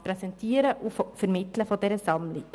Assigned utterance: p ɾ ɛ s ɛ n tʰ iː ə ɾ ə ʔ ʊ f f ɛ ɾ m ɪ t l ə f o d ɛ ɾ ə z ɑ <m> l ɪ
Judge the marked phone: correct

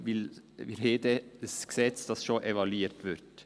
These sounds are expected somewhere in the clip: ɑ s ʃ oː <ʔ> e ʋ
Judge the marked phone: correct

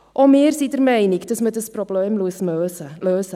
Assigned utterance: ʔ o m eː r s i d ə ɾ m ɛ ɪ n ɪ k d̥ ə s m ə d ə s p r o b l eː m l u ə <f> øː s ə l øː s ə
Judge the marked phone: incorrect: s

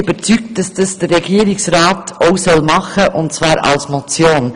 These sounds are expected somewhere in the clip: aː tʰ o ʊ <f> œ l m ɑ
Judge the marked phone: incorrect: s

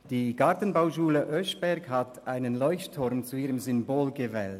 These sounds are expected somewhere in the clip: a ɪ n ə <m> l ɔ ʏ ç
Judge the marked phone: incorrect: n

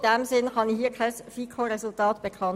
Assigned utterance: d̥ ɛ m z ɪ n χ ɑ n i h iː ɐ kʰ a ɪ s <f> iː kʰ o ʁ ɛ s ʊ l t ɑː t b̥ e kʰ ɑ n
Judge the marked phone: correct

